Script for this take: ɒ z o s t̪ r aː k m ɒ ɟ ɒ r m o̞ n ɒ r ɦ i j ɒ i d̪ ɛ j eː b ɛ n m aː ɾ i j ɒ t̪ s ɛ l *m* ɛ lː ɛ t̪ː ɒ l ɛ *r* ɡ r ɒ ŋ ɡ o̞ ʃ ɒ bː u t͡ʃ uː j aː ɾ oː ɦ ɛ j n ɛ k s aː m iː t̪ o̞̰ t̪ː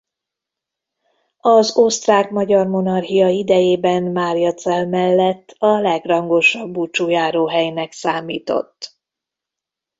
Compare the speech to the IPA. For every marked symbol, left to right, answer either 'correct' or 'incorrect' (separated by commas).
correct, incorrect